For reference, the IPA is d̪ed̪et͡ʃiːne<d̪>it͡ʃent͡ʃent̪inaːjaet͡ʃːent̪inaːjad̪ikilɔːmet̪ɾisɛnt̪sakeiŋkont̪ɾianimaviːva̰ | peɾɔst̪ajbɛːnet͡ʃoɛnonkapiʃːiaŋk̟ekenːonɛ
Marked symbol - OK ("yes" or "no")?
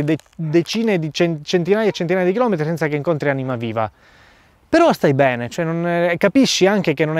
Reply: yes